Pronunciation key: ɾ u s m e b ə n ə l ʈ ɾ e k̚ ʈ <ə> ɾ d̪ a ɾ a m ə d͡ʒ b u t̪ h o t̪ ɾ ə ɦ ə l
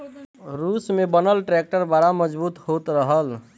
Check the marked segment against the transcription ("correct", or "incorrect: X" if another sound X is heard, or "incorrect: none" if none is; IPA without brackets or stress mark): correct